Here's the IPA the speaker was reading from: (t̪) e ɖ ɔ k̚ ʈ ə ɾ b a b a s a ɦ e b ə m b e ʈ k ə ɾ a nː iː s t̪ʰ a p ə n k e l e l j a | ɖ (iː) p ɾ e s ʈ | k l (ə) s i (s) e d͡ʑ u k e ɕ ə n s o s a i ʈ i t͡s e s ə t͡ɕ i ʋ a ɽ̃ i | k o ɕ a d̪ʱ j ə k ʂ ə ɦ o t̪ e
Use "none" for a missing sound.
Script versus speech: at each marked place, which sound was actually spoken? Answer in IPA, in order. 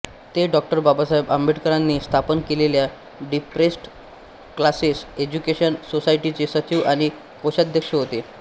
t̪, i, a, s

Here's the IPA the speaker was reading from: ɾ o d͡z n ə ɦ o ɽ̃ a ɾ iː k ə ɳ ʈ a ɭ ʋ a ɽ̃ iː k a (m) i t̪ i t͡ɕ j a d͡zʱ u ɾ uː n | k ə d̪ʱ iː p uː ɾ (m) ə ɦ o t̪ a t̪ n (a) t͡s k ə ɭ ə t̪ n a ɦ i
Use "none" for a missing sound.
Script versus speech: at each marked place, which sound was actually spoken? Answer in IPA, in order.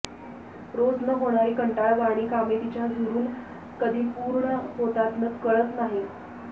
m, ɳ, ə

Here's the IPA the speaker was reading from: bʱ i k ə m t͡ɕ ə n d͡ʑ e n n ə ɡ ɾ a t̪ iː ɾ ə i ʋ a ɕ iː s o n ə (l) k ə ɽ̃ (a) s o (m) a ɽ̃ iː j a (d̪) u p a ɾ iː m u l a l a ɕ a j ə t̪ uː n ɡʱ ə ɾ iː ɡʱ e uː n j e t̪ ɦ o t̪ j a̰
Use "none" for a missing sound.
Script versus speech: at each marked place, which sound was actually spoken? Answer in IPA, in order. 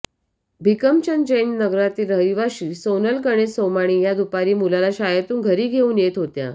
l, e, m, d̪

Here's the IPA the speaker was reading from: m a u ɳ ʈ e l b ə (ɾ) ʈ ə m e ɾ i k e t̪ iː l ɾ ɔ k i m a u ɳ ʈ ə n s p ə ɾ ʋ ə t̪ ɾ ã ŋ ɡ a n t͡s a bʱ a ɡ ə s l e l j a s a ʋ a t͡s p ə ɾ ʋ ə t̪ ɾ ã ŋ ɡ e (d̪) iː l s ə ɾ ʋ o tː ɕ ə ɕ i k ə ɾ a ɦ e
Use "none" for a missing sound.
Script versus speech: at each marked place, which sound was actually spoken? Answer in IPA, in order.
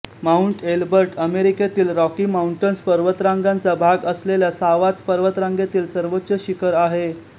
ɾ, t̪

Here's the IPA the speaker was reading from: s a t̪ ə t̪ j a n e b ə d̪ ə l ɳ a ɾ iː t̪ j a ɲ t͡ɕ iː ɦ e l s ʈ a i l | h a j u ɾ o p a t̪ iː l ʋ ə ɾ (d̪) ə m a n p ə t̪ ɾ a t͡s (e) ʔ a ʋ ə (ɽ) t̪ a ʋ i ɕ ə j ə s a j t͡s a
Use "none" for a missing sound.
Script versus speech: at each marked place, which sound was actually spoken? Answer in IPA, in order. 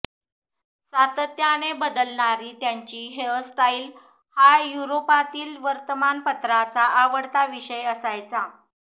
t̪, a, ɽ

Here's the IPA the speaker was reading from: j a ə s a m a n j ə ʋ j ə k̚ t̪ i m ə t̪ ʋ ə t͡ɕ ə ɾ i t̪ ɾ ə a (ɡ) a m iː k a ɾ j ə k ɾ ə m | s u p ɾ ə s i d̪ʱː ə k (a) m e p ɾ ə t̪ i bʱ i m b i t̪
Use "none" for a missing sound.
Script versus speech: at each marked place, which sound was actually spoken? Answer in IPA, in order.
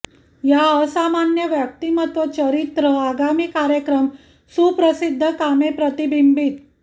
ɡ, a

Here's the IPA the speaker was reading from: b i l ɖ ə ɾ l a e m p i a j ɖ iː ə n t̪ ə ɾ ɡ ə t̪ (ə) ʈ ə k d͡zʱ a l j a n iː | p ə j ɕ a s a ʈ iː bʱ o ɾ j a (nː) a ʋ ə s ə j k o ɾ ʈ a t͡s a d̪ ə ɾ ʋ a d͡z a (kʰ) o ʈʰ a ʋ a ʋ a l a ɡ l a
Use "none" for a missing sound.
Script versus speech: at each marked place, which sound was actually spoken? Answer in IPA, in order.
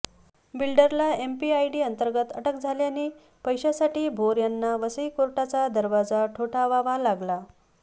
ə, nː, ʈʰ

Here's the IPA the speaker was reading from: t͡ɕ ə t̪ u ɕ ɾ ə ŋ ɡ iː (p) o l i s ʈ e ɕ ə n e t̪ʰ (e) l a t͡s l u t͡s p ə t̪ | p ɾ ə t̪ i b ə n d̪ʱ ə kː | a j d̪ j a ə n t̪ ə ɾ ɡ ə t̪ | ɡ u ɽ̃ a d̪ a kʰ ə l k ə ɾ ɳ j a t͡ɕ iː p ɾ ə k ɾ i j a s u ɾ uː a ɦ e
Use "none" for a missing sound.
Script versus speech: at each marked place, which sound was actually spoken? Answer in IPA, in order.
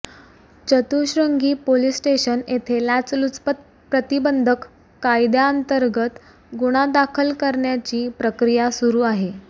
p, e

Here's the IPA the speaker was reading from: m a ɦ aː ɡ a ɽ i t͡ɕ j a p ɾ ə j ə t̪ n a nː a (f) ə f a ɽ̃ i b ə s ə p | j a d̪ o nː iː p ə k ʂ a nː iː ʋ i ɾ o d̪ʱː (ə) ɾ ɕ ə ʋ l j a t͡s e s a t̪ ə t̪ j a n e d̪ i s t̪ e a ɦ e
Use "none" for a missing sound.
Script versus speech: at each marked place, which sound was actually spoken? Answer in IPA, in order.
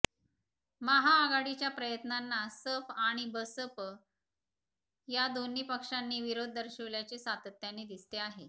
s, ə

